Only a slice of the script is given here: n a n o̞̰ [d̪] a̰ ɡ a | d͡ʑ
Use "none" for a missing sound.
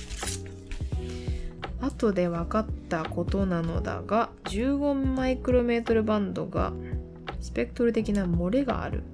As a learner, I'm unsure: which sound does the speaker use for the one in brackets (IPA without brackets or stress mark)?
d̪